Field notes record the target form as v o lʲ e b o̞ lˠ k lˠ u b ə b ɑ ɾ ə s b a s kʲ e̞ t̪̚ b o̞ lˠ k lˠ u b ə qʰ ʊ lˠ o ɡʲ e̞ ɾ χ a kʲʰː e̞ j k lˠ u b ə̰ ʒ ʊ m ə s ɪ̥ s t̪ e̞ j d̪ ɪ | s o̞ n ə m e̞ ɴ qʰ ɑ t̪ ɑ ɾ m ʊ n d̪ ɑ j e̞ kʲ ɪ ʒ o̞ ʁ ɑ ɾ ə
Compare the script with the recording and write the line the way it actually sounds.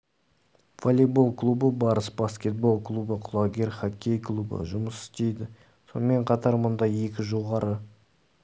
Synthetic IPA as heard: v o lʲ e b o̞ lˠ k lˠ u b ə b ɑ ɾ ə s b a s kʲ e̞ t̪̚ b o̞ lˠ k lˠ u b ə qʰ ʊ lˠ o ɡʲ e̞ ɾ χ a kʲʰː e̞ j k lˠ u b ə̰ ʒ ʊ m ə s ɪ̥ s t̪ e̞ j d̪ ɪ | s o̞ n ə m e̞ ɴ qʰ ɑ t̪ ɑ ɾ m ʊ n d̪ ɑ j e̞ kʲ ɪ ʒ o̞ ʁ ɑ ɾ ə